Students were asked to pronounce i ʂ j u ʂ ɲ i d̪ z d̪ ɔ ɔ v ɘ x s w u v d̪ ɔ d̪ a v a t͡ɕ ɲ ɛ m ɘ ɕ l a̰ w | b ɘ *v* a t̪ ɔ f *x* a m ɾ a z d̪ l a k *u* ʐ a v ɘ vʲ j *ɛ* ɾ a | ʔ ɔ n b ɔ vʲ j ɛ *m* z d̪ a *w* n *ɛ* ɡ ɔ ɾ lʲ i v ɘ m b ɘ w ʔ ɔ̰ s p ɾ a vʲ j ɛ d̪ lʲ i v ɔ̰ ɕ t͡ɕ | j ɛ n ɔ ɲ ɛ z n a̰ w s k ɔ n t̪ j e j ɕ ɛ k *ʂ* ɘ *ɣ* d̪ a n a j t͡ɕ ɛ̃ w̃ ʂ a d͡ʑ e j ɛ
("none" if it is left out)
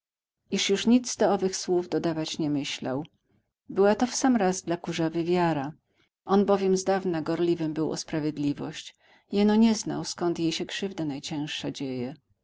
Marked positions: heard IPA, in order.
w, s, u, a, m, v, a, ʂ, v

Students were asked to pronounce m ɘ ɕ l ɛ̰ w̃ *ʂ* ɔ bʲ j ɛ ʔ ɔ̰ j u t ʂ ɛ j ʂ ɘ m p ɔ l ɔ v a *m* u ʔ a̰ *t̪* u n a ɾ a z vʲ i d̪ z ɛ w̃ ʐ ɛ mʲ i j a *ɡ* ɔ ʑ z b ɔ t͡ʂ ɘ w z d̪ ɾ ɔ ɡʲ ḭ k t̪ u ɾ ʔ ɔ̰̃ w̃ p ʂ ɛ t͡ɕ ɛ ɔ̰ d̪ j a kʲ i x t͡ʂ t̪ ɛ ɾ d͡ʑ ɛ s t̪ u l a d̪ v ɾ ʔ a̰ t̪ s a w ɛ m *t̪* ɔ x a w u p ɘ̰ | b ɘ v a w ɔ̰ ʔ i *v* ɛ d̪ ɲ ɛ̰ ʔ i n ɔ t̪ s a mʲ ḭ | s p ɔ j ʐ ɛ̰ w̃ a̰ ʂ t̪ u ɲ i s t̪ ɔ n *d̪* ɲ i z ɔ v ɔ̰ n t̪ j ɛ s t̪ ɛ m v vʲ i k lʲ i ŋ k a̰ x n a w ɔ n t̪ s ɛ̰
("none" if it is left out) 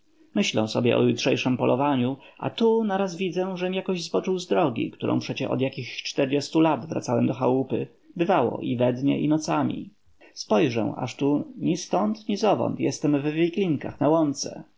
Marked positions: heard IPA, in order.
s, ɲ, t̪, k, d̪, v, t̪

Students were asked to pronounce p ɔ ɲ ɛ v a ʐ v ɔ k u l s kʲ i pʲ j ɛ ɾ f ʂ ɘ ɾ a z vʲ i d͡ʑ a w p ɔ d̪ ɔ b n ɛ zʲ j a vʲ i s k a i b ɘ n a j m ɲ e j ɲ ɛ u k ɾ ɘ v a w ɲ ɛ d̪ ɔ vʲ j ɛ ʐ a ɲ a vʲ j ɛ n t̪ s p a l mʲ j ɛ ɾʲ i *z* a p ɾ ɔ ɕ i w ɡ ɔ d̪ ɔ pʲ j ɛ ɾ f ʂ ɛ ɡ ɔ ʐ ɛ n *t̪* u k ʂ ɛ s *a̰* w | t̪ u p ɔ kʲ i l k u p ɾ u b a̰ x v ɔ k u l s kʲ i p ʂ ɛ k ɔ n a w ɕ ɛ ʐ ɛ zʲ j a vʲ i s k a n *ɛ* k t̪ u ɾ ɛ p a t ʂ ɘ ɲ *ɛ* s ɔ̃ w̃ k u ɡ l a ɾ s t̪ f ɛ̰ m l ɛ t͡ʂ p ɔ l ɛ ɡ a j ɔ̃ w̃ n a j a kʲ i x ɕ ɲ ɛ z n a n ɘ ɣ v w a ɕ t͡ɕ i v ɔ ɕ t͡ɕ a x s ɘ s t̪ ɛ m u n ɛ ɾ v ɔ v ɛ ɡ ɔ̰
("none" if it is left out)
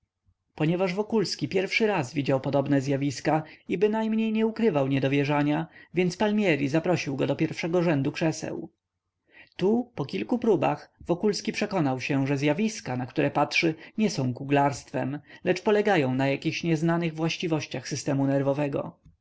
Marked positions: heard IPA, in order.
z, d̪, ɛ̰, a, ɛ

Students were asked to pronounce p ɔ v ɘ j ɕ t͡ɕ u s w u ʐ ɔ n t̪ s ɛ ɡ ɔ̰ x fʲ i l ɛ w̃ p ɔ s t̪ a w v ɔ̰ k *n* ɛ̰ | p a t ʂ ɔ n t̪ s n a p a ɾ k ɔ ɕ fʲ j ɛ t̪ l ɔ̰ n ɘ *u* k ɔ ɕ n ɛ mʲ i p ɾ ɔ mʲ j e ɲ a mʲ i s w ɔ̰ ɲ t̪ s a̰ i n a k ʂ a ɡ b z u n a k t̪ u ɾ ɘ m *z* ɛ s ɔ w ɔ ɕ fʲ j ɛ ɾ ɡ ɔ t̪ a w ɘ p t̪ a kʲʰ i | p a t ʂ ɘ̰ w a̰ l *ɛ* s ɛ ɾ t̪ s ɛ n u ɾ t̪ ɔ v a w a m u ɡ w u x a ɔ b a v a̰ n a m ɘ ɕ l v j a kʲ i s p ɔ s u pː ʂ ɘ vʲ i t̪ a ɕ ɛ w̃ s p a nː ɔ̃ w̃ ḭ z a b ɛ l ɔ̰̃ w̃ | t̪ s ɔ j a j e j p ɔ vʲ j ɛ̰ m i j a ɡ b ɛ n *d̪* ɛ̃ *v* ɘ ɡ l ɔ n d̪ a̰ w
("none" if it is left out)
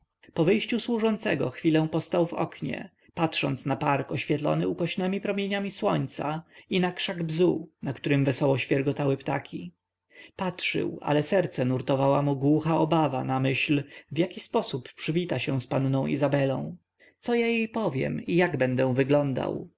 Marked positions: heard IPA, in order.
ɲ, u, v, ɛ, d̪, v

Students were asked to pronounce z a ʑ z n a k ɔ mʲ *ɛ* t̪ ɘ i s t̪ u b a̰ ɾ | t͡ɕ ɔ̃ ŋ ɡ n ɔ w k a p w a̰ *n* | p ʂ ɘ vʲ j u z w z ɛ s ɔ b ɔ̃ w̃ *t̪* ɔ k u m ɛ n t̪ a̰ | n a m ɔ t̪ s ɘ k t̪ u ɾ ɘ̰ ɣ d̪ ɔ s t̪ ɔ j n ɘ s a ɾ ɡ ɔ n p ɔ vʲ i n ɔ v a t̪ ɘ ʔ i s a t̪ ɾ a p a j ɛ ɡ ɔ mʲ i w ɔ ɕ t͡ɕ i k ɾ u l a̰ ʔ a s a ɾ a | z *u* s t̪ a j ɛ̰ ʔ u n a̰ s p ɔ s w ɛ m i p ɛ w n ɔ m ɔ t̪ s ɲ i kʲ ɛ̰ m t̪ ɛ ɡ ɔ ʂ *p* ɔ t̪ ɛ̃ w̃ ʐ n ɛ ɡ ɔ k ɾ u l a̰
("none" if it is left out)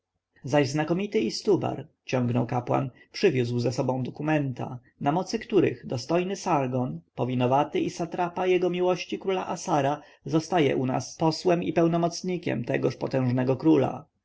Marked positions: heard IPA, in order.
i, n, d̪, ɔ, p

